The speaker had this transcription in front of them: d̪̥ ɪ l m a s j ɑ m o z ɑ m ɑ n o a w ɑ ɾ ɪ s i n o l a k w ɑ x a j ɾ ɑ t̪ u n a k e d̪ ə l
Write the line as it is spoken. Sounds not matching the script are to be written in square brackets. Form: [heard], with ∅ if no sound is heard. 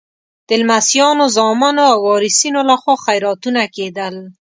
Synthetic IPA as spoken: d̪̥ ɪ l m a s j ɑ [n] o z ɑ m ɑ n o a w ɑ ɾ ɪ s i n o l a [x] w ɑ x a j ɾ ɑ t̪ u n a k e d̪ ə l